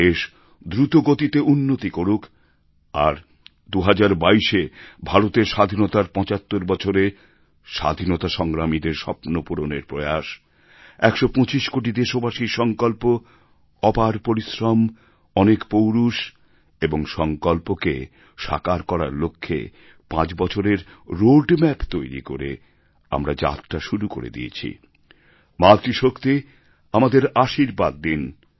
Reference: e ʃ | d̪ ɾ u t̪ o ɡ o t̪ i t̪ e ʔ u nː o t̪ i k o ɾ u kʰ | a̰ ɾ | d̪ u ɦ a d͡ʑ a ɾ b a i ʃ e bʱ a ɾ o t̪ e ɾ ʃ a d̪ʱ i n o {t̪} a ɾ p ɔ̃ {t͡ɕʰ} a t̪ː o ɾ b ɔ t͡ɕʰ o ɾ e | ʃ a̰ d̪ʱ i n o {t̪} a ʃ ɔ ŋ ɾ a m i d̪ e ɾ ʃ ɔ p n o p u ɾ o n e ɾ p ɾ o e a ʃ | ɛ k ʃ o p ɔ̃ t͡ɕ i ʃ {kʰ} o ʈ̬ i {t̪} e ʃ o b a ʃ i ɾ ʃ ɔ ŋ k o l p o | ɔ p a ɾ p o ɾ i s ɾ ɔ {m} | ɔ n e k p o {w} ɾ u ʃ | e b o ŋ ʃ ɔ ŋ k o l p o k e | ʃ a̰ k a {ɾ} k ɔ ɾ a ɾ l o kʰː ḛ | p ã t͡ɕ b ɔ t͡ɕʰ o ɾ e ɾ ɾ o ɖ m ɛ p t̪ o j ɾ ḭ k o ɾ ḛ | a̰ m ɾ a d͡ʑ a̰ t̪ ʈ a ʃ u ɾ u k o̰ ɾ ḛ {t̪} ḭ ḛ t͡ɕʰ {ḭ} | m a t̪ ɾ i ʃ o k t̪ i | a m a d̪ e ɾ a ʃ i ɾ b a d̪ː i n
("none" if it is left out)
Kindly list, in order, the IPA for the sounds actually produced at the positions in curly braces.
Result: t̪, t͡ɕ, t̪, k, d̪, m, w, ɾ, d̪, ḭ

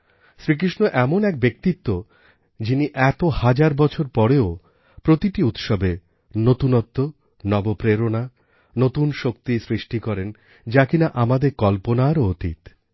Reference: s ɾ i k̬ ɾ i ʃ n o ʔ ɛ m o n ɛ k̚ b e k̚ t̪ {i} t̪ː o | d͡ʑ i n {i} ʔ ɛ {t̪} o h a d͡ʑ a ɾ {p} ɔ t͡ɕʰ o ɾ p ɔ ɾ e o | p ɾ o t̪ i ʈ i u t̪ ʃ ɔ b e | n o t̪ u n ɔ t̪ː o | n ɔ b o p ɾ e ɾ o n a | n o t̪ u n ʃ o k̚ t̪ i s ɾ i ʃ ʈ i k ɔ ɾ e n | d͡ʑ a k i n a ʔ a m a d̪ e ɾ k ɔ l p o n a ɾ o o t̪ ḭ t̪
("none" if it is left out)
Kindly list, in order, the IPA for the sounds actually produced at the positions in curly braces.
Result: i, i, t̪, b

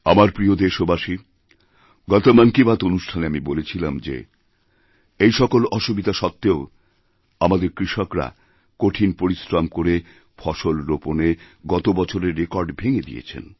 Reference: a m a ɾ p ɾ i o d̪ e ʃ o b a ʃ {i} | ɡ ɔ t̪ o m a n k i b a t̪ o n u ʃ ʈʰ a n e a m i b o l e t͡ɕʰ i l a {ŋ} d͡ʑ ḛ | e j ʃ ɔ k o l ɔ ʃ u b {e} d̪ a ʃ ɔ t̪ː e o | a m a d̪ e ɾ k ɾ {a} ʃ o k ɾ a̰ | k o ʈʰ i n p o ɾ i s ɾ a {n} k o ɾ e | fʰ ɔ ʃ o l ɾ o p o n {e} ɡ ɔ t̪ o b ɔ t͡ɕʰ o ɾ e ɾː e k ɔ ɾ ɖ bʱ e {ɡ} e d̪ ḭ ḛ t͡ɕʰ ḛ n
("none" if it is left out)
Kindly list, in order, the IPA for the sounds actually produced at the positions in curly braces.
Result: i, m, i, i, m, e, ŋ

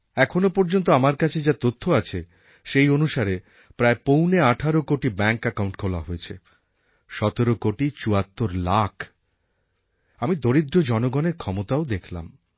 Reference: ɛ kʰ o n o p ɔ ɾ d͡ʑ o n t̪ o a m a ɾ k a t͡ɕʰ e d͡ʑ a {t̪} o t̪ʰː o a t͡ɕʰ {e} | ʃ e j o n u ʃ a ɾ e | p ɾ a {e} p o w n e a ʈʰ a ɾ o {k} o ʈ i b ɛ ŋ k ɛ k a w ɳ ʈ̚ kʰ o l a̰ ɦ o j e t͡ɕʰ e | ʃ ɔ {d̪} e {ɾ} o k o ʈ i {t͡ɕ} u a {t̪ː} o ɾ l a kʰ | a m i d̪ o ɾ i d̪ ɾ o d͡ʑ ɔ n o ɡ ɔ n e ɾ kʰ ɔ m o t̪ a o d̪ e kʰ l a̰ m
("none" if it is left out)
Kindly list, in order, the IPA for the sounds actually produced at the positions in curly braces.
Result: t̪, e, e, k, t̪, ɾ, t͡ɕ, t̪ː

